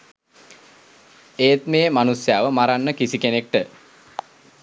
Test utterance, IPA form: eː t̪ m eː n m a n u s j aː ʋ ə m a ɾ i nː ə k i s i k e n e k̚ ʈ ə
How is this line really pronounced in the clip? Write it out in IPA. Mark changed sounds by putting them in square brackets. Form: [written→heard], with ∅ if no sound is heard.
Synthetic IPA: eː t̪ m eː [n→∅] m a n u s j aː ʋ ə m a ɾ [i→a] nː ə k i s i k e n e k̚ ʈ ə